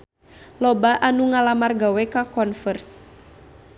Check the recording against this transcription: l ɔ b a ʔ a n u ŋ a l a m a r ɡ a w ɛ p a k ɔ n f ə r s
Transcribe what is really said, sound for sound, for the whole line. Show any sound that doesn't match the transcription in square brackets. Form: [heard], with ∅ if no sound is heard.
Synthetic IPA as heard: l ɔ b a ʔ a n u ŋ a l a m a r ɡ a w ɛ [k] a k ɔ n f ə r s